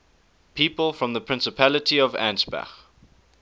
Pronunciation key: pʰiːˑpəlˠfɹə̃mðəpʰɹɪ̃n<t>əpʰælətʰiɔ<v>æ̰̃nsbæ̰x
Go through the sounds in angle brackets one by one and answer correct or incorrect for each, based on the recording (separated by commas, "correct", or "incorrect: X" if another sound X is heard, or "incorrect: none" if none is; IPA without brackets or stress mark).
incorrect: s, correct